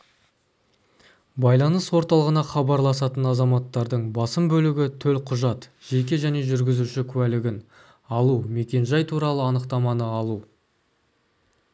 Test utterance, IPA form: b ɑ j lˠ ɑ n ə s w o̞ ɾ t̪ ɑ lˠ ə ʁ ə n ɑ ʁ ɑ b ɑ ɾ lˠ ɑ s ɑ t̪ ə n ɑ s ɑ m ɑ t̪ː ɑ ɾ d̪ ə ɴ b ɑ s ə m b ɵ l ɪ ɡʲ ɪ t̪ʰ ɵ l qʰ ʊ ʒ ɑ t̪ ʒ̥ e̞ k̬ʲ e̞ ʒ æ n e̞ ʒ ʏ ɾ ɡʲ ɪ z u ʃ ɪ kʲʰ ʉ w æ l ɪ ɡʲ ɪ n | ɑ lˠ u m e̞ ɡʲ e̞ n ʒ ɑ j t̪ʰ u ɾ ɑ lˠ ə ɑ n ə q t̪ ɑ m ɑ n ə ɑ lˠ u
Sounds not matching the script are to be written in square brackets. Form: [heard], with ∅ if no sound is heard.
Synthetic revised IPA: b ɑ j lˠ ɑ n ə s w o̞ ɾ t̪ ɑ lˠ ə ʁ ə n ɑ [χ] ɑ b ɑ ɾ lˠ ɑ s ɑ t̪ ə n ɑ [z] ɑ m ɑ t̪ː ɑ ɾ d̪ ə ɴ b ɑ s ə m b ɵ l ɪ ɡʲ ɪ t̪ʰ ɵ l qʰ ʊ ʒ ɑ t̪ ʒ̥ e̞ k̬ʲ e̞ ʒ æ n e̞ ʒ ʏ ɾ ɡʲ ɪ z u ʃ ɪ kʲʰ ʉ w æ l ɪ ɡʲ ɪ n | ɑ lˠ u m e̞ [kʲ] e̞ n ʒ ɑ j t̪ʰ u ɾ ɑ lˠ ə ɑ n ə q t̪ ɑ m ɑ n ə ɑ lˠ u

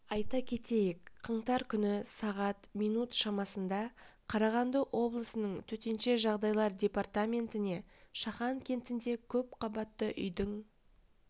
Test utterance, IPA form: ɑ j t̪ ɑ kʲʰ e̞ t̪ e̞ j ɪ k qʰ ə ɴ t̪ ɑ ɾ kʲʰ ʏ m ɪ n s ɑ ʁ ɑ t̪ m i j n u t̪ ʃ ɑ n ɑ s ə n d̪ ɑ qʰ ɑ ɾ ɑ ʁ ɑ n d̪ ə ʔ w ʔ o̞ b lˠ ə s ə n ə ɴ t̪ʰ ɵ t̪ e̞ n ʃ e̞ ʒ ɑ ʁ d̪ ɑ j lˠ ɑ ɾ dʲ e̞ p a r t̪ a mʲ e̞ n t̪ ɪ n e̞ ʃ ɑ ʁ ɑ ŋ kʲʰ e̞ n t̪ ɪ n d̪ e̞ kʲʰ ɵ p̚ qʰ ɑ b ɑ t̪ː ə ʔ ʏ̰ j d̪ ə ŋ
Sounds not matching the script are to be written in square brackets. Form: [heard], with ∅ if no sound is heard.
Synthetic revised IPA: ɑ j t̪ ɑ kʲʰ e̞ t̪ e̞ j ɪ k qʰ ə ɴ t̪ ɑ ɾ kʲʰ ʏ [n] ɪ [∅] s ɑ ʁ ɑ t̪ m i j n u t̪ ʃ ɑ [m] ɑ s ə n d̪ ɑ qʰ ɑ ɾ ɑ ʁ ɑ n d̪ ə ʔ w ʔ o̞ b lˠ ə s ə n ə ɴ t̪ʰ ɵ t̪ e̞ n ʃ e̞ ʒ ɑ ʁ d̪ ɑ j lˠ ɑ ɾ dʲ e̞ p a r t̪ a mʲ e̞ n t̪ ɪ n e̞ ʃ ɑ [χ] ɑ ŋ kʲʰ e̞ n t̪ ɪ n d̪ e̞ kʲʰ ɵ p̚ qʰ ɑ b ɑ t̪ː ə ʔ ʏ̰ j d̪ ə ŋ

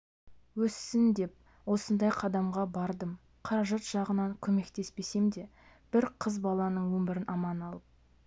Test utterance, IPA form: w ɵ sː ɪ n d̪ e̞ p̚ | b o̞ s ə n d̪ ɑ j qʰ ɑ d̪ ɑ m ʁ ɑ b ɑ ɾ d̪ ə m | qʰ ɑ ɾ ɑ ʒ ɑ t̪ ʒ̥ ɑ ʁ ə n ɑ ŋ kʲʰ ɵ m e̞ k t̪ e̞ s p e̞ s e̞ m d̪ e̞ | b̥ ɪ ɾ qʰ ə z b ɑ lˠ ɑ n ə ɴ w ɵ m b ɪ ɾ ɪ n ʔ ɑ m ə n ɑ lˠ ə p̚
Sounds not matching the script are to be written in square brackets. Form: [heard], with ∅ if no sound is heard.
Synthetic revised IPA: w ɵ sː ɪ n d̪ e̞ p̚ | [w] o̞ s ə n d̪ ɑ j qʰ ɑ d̪ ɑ m ʁ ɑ b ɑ ɾ d̪ ə m | qʰ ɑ ɾ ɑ ʒ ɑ t̪ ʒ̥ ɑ ʁ ə n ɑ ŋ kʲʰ ɵ m e̞ k t̪ e̞ s p e̞ s e̞ m d̪ e̞ | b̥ ɪ ɾ qʰ ə z b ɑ lˠ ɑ n ə ɴ w ɵ m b ɪ ɾ ɪ n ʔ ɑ m [ɑ] n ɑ lˠ ə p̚

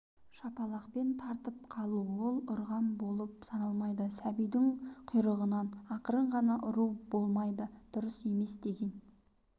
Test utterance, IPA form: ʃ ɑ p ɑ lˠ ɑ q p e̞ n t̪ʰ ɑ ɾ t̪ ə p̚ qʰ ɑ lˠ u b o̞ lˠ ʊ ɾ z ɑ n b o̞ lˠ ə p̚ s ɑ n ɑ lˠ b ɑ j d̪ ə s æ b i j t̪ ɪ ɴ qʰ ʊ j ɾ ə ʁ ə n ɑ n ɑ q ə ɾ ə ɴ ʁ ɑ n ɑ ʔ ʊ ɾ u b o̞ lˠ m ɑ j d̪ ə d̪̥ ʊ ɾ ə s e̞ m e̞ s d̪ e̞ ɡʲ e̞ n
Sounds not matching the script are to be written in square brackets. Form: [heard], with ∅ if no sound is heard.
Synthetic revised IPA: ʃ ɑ p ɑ lˠ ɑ q p e̞ n t̪ʰ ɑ ɾ t̪ ə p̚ qʰ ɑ lˠ u [w] o̞ lˠ ʊ ɾ [ʁ] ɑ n b o̞ lˠ ə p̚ s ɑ n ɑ lˠ [m] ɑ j d̪ ə s æ b i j [d̪] ɪ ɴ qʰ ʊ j ɾ ə ʁ ə n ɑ n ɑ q ə ɾ ə ɴ ʁ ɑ n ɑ ʔ ʊ ɾ u b o̞ lˠ m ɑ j d̪ ə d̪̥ ʊ ɾ ə s e̞ m e̞ s d̪ e̞ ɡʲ e̞ n

